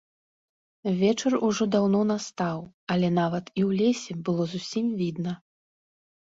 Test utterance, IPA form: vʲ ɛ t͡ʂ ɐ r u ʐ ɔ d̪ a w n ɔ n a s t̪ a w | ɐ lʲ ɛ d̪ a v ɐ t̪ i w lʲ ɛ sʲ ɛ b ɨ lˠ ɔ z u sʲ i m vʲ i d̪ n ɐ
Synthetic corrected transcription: vʲ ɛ t͡ʂ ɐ r u ʐ ɔ d̪ a w n ɔ n a s t̪ a w | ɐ lʲ ɛ n̪ a v ɐ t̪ i w lʲ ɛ sʲ ɛ b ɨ lˠ ɔ z u sʲ i m vʲ i d̪ n ɐ